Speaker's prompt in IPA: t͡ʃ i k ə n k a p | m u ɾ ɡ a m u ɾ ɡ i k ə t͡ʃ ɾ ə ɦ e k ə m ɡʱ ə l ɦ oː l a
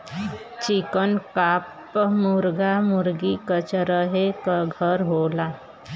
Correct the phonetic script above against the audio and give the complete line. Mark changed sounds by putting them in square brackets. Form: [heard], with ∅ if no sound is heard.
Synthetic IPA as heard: t͡ʃ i k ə n k a p | m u ɾ ɡ a m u ɾ ɡ i k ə t͡ʃ ɾ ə ɦ e k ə [∅] ɡʱ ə [ɾ] ɦ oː l a